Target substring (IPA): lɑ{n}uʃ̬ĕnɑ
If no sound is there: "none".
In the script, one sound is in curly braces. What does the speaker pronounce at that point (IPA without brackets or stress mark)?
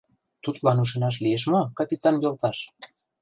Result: n